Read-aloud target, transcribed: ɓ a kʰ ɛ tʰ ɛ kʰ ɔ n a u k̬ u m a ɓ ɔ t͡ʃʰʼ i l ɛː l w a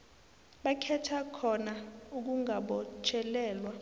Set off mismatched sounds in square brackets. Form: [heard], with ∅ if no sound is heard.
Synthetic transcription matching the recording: ɓ a kʰ ɛ tʰ [a] kʰ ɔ n a u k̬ u [ŋ] a ɓ ɔ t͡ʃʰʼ [ɛ] l ɛː l w a